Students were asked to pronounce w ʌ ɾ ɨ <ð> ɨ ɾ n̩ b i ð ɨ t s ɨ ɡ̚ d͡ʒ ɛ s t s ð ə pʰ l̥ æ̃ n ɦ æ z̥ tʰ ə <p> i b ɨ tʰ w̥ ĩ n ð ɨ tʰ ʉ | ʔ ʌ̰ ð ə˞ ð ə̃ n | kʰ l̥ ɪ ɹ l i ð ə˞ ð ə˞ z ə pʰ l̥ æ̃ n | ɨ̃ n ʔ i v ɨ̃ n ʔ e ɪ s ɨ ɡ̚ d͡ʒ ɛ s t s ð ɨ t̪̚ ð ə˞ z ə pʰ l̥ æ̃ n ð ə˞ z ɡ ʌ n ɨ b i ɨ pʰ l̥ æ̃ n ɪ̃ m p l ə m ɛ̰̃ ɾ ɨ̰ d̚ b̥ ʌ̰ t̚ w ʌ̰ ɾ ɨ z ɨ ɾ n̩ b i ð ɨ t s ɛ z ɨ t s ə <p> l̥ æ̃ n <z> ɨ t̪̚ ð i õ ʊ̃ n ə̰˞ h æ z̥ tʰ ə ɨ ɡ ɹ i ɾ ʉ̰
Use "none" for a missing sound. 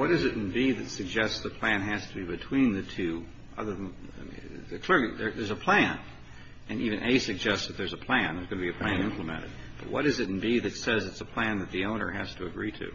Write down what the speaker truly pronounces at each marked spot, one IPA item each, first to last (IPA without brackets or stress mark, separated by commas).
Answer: z, b, pʰ, ð